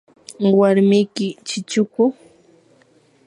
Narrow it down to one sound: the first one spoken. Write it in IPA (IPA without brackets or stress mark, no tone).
w